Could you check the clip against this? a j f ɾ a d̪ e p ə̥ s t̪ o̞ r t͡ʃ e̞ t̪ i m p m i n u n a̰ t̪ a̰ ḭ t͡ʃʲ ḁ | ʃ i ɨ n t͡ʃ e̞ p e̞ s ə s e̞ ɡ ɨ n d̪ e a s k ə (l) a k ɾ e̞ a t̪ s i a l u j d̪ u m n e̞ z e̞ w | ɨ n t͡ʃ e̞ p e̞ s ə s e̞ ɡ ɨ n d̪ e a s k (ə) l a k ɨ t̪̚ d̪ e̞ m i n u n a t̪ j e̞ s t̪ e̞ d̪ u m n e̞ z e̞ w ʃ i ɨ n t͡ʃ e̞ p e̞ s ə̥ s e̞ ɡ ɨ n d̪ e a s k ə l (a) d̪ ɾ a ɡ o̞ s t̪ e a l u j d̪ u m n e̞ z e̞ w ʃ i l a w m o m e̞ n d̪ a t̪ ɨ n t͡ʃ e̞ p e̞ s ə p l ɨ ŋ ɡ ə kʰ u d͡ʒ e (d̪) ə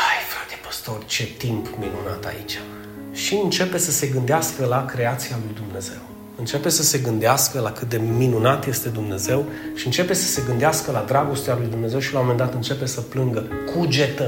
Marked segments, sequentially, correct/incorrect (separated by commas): correct, correct, correct, incorrect